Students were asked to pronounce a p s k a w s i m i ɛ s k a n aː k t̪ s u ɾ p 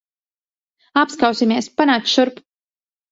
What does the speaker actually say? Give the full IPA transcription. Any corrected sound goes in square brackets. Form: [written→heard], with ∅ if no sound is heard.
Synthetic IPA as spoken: a p s k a w s i m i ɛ s [k→p] a n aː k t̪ [s→ʃ] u ɾ p